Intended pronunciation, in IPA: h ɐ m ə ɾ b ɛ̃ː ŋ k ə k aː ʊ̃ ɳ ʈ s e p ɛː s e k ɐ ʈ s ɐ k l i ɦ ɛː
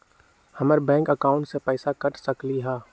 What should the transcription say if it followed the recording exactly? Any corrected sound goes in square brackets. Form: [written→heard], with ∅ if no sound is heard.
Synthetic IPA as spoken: h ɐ m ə ɾ b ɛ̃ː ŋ k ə k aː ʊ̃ ɳ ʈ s e p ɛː s [e→a] k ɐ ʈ s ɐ k l i ɦ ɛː